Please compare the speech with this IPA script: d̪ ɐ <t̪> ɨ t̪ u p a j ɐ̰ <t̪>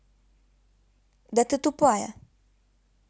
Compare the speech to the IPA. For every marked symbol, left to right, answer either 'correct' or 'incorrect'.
correct, incorrect: none

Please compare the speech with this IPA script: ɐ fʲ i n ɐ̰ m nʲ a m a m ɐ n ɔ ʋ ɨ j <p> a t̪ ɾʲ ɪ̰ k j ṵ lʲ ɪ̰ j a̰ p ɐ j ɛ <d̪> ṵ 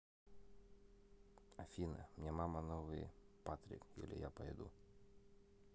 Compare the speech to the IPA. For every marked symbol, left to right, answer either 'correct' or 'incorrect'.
correct, correct

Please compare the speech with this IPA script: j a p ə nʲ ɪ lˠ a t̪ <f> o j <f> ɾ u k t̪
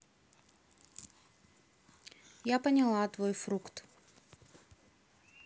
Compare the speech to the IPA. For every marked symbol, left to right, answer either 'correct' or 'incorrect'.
incorrect: v, correct

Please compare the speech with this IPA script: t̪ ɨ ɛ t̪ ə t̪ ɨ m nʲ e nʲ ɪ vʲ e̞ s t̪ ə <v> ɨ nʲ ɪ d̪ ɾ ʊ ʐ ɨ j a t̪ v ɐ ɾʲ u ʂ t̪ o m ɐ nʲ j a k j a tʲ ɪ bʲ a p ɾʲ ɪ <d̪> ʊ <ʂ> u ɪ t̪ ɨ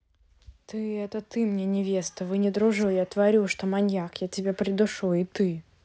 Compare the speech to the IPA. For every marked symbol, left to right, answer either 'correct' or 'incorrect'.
correct, correct, correct

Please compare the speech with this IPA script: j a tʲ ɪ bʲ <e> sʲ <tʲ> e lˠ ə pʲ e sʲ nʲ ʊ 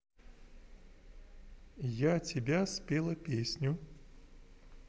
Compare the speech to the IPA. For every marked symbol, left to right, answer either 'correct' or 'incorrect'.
incorrect: a, incorrect: pʲ

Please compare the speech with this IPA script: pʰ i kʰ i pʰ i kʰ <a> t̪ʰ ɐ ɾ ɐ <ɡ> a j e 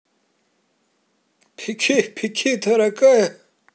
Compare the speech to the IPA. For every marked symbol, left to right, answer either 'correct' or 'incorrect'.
incorrect: i, incorrect: k

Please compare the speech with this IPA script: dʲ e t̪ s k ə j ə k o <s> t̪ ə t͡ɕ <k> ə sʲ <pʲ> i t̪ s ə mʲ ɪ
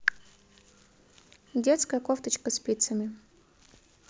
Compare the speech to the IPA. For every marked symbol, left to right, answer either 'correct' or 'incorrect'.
incorrect: f, correct, correct

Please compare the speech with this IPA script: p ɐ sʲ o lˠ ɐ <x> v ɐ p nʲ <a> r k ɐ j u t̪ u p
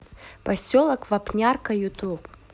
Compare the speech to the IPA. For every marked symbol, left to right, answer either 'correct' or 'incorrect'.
incorrect: k, correct

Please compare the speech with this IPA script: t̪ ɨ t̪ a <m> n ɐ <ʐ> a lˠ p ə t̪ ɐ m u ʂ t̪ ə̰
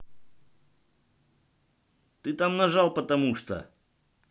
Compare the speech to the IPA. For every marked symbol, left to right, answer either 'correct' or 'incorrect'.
correct, correct

